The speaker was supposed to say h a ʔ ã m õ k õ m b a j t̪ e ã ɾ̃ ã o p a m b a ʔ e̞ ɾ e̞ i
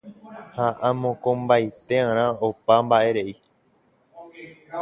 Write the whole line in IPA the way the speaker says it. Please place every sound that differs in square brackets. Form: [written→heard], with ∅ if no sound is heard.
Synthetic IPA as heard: h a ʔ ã m õ k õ m b a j t̪ e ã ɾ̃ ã o p a m b a ʔ e̞ ɾ e̞ i